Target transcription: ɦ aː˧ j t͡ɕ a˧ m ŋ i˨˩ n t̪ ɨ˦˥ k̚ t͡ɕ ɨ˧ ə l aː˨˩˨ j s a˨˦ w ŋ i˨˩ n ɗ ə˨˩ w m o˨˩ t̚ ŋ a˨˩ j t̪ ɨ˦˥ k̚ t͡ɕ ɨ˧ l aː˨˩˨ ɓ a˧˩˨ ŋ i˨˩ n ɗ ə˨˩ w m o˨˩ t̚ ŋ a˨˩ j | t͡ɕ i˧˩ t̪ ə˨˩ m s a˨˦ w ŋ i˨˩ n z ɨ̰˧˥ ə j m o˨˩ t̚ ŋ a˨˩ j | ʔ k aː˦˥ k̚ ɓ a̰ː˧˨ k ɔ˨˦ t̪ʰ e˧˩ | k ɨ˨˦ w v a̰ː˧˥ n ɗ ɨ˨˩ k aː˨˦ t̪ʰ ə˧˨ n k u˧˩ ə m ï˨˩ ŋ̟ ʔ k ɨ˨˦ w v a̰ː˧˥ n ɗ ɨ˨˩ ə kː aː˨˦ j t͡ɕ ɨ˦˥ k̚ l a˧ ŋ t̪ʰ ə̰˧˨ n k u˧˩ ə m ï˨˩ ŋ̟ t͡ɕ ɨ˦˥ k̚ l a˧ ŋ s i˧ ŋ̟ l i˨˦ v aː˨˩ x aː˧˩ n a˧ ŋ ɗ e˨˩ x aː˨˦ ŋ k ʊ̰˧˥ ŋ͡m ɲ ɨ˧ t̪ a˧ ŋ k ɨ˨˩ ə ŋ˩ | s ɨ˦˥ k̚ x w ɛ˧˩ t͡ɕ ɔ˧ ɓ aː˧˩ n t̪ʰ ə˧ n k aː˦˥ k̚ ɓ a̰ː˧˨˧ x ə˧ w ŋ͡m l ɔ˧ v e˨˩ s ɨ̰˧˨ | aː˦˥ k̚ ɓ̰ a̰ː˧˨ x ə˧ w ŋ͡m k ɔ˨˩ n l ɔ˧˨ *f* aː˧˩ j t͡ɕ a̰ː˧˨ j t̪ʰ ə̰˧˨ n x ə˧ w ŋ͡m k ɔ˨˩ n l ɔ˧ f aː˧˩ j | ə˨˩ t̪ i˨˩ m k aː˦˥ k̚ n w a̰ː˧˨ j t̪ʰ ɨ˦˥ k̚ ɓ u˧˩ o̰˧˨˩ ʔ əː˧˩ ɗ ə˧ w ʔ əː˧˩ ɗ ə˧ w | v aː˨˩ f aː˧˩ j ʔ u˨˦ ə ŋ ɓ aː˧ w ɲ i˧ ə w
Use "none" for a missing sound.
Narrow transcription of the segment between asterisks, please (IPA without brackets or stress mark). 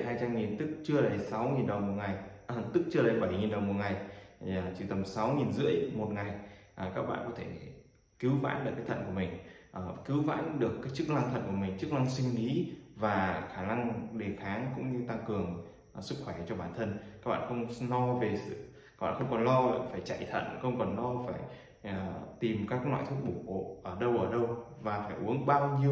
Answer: f